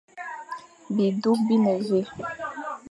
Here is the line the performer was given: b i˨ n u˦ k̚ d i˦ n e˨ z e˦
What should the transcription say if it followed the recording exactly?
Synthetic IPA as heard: b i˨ d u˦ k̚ b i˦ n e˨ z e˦

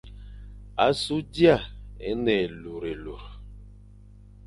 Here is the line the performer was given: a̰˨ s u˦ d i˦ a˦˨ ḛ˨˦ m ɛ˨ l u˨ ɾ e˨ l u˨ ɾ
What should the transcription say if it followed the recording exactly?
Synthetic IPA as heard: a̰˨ s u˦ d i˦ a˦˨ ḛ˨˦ n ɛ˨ l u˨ ɾ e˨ l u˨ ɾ

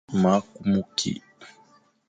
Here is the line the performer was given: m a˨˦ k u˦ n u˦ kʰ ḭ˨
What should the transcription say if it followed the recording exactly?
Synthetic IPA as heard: m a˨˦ k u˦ m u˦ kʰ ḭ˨

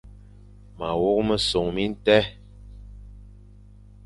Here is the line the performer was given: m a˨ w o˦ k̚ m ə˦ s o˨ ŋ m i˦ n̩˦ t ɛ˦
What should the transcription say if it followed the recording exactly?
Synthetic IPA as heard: m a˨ w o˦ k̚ m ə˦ s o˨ ŋ m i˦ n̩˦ t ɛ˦

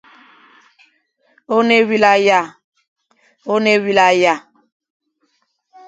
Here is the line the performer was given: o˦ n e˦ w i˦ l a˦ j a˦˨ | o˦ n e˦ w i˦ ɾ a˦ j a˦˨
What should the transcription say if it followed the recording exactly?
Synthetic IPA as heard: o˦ n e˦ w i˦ l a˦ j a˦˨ | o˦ n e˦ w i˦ l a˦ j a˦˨

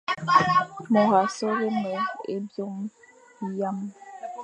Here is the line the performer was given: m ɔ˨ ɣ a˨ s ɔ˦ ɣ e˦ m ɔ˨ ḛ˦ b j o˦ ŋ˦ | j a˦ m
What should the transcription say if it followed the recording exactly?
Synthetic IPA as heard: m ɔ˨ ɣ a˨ s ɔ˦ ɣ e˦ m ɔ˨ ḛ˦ b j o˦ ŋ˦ | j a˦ m

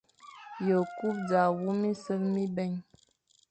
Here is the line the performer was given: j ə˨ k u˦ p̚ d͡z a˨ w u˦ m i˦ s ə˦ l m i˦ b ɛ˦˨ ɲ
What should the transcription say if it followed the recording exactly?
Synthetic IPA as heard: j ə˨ k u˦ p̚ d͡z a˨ w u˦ m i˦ s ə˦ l m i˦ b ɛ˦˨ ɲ

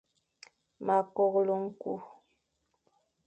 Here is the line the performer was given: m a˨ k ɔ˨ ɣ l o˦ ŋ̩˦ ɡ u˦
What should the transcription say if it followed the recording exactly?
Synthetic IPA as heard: m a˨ k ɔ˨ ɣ l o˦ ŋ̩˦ k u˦

